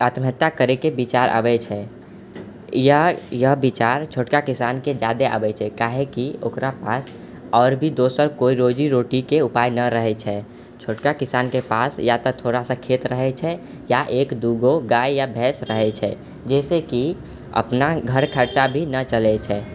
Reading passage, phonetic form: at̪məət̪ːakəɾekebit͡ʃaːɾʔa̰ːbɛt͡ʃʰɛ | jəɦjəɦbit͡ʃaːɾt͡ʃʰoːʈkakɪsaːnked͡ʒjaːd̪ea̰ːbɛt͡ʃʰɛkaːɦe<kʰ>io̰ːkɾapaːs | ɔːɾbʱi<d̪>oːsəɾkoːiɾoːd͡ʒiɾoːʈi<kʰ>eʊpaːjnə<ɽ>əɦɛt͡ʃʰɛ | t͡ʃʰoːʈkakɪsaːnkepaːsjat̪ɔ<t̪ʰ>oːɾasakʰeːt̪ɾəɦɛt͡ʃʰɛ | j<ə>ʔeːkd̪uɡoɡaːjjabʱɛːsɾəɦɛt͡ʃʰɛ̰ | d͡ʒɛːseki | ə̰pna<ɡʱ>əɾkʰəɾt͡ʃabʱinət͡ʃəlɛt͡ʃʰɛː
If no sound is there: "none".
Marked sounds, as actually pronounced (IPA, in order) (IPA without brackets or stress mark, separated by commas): k, d̪, k, ɾ, t̪ʰ, a, ɡʱ